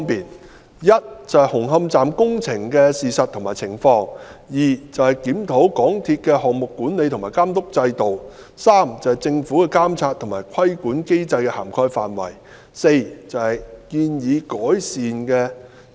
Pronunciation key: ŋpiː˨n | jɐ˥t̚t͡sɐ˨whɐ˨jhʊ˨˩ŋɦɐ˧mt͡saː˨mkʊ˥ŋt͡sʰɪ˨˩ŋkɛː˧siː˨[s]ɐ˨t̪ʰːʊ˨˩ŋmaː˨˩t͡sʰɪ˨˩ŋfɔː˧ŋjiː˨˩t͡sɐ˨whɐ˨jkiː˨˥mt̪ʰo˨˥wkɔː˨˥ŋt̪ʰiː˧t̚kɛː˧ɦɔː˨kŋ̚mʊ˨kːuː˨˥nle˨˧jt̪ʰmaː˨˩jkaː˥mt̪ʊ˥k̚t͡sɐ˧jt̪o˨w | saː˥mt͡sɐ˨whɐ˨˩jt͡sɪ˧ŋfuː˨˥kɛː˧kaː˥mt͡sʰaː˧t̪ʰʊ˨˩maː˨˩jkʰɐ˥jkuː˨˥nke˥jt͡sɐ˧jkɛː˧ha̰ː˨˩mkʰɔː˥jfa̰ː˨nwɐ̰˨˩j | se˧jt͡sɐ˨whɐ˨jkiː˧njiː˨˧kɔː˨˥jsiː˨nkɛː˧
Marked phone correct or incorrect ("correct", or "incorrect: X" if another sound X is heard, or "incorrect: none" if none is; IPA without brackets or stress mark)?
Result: correct